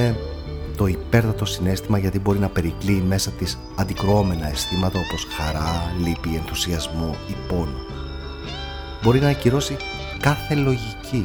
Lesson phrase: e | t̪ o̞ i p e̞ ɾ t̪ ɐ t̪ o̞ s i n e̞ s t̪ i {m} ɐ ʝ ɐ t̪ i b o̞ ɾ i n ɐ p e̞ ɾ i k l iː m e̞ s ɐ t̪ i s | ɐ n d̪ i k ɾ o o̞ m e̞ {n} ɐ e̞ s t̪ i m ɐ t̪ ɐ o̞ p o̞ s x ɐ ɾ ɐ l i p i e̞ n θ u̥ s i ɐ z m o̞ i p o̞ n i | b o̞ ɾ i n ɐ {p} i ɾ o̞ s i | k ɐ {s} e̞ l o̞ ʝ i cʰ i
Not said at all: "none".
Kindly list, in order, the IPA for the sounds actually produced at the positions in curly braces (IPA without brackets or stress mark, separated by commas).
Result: m, n, c, θ